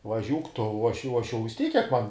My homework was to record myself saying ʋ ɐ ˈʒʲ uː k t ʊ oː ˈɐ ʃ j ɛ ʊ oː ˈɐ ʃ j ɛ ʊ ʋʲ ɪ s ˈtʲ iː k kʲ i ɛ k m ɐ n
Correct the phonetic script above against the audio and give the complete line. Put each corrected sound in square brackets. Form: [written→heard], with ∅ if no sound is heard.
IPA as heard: ʋ ɐ ˈʒʲ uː k t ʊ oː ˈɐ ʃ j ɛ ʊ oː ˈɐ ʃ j ɛ ʊ ʋʲ ɪ s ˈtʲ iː k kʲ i ɛ k m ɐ n

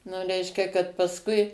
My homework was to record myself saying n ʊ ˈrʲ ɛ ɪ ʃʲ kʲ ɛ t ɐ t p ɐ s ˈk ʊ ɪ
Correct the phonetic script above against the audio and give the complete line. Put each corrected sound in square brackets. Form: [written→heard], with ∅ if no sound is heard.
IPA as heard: n ʊ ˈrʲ ɛ ɪ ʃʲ kʲ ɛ [t→k] ɐ t p ɐ s ˈk ʊ ɪ

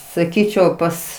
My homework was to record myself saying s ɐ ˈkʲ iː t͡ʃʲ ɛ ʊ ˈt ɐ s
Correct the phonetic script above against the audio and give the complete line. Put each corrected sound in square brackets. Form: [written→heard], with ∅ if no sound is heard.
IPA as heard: s ɐ ˈkʲ iː t͡ʃʲ ɛ ʊ [ˈt→ˈp] ɐ s

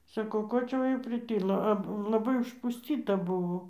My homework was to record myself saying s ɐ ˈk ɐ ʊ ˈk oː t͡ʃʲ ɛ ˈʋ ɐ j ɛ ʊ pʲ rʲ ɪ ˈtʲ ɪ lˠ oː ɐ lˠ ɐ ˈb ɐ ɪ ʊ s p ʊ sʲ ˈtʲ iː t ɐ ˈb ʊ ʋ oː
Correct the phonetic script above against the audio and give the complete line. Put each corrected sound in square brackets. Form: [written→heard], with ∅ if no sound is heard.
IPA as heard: s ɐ ˈk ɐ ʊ ˈk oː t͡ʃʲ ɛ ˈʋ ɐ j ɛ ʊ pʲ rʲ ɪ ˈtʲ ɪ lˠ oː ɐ lˠ ɐ ˈb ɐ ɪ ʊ [s→ʃ] p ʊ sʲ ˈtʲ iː t ɐ ˈb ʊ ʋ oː

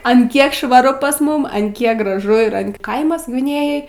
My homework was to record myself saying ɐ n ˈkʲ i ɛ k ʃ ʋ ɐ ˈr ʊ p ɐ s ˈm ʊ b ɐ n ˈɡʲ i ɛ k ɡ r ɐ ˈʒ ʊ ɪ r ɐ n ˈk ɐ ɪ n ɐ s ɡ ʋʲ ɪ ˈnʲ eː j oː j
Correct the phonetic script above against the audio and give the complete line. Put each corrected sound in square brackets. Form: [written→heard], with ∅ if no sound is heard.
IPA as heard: ɐ n ˈkʲ i ɛ k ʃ ʋ ɐ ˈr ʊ p ɐ s ˈm ʊ [b→m] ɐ n [ˈɡʲ→ˈkʲ] i ɛ k ɡ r ɐ ˈʒ ʊ ɪ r ɐ n ˈk ɐ ɪ [n→m] ɐ s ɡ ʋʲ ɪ ˈnʲ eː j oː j

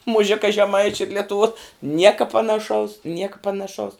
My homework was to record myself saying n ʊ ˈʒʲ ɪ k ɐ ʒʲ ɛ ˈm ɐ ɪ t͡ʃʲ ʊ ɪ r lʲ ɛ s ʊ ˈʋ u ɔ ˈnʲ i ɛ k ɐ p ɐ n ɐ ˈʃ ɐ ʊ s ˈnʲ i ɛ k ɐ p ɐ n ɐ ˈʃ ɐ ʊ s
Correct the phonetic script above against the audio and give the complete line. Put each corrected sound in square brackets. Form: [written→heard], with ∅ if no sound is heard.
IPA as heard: [n→m] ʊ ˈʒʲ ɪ k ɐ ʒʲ ɛ ˈm ɐ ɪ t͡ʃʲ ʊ ɪ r lʲ ɛ [s→t] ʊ ˈʋ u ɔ ˈnʲ i ɛ k ɐ p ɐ n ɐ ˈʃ ɐ ʊ s ˈnʲ i ɛ k ɐ p ɐ n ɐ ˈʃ ɐ ʊ s

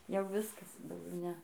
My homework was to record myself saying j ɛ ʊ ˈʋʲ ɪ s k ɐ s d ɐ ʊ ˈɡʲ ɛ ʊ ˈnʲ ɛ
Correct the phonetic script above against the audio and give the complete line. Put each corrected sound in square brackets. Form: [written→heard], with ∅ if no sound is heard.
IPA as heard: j ɛ ʊ ˈʋʲ ɪ s k ɐ s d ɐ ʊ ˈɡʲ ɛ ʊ ˈnʲ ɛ

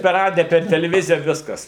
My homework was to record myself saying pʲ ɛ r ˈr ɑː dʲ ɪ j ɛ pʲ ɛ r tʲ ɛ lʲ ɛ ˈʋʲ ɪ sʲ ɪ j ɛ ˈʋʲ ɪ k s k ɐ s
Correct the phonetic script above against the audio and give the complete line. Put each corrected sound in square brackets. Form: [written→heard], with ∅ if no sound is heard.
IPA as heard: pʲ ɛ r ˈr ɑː dʲ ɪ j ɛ pʲ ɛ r tʲ ɛ lʲ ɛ ˈʋʲ ɪ [sʲ→zʲ] ɪ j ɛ ˈʋʲ ɪ [k→∅] s k ɐ s

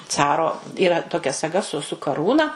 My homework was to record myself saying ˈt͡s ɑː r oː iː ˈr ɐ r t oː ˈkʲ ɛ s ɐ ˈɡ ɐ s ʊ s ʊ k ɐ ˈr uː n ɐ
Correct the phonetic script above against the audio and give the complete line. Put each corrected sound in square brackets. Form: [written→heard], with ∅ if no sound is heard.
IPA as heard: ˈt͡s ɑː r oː iː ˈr ɐ [r→∅] t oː ˈkʲ ɛ s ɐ ˈɡ ɐ s ʊ s ʊ k ɐ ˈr uː n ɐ

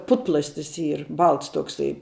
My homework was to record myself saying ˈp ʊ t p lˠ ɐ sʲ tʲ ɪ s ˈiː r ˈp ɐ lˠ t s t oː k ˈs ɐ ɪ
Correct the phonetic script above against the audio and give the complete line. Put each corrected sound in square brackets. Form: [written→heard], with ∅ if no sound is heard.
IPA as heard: ˈp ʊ t p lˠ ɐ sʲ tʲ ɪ s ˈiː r [ˈp→ˈb] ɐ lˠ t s t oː k ˈs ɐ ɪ

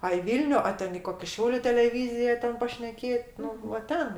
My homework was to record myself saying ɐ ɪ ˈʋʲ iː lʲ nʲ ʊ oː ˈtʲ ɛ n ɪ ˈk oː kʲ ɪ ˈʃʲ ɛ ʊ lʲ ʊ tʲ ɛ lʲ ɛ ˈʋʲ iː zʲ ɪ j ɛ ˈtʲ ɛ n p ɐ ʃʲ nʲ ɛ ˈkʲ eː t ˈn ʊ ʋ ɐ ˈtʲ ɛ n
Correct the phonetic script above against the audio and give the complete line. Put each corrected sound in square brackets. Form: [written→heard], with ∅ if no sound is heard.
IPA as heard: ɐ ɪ ˈʋʲ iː lʲ nʲ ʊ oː ˈtʲ ɛ n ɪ ˈk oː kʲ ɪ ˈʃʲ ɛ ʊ lʲ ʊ tʲ ɛ lʲ ɛ ˈʋʲ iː zʲ ɪ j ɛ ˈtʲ ɛ n p ɐ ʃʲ nʲ ɛ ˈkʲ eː t ˈn ʊ ʋ ɐ ˈtʲ ɛ n

